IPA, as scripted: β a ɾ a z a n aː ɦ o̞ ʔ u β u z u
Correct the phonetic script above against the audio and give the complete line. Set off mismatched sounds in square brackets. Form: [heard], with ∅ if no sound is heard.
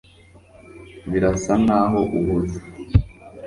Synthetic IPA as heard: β [i] ɾ a [s] a n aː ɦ o̞ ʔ u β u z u

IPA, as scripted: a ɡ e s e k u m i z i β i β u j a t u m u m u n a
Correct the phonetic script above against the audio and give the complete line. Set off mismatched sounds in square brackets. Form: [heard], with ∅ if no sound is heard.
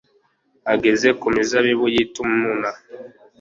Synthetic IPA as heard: a ɡ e [z] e k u m i z [a] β i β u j [i] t u m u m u n a

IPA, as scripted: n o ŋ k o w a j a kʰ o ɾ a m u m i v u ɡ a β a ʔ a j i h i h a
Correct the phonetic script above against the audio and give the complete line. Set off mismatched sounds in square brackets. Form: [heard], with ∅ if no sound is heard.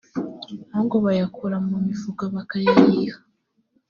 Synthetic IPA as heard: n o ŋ [ɡ] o [β] a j a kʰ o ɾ a m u m i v u ɡ a β a [k] a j [a] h i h a

